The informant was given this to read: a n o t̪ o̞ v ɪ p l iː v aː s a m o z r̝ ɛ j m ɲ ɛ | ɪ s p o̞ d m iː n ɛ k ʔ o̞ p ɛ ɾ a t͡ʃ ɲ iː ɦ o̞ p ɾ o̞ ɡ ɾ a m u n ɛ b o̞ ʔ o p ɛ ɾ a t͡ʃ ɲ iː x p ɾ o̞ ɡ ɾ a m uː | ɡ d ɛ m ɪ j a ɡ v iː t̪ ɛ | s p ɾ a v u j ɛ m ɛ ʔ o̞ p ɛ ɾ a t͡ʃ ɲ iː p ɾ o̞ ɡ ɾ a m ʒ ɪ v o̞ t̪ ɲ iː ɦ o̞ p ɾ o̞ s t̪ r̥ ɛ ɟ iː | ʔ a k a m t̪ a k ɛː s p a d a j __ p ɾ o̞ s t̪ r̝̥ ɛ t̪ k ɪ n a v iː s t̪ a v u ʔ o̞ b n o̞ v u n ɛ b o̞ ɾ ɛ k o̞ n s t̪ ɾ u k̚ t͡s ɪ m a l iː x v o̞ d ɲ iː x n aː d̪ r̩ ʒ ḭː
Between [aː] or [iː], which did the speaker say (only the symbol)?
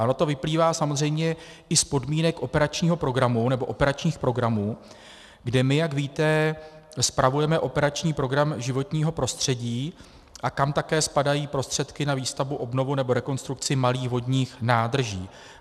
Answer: iː